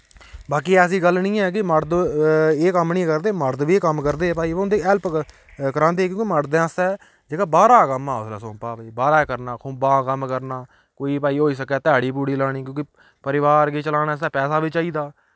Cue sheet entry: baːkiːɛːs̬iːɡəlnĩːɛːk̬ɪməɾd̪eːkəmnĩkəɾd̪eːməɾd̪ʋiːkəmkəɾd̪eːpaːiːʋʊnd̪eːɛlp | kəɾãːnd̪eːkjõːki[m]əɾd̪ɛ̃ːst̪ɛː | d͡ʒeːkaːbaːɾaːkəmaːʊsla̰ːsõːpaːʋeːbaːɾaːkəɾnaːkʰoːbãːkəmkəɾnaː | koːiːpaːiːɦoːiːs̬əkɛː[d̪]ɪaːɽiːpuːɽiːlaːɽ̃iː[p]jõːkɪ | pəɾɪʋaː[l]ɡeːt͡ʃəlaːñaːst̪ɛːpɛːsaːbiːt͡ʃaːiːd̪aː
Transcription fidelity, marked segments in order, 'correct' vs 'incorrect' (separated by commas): correct, incorrect, incorrect, incorrect